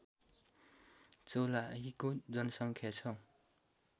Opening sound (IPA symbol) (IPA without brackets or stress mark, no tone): t͡s